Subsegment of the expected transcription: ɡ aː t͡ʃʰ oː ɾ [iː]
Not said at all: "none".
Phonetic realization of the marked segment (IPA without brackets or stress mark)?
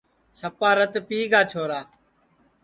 aː